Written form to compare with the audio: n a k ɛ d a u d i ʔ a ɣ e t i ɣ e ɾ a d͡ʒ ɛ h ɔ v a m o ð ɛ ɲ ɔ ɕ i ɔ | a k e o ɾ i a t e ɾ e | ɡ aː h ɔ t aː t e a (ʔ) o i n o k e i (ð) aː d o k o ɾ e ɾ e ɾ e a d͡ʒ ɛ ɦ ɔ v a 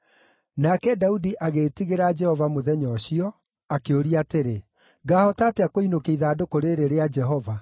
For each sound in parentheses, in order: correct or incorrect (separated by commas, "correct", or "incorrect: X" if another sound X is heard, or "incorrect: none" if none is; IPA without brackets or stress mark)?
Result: incorrect: k, correct